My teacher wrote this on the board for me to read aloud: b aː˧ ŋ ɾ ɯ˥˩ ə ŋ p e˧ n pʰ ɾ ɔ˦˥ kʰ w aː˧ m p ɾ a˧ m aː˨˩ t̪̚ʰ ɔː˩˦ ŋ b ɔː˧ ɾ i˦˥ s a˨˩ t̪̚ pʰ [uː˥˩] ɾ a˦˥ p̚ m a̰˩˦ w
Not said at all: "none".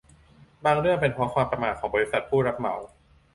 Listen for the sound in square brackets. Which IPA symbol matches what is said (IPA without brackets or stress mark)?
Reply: uː˥˩